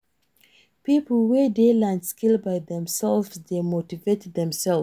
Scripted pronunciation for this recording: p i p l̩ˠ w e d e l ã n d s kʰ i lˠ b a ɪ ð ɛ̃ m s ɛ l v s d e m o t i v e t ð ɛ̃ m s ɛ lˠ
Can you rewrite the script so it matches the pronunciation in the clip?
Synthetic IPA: p i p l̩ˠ w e d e l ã n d s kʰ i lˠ b a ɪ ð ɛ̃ m s ɛ l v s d e m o t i v e t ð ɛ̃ m s ɛ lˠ